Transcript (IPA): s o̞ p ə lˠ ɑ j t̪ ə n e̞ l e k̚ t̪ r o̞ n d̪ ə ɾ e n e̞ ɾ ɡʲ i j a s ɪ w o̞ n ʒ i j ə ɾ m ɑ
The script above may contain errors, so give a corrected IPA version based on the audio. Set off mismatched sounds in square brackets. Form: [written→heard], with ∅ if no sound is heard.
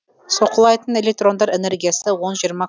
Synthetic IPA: s o̞ [p→q] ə lˠ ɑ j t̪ ə n e̞ l e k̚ t̪ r o̞ n d̪ [ə→ɑ] ɾ e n e̞ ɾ ɡʲ i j a s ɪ w o̞ n ʒ i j ə ɾ m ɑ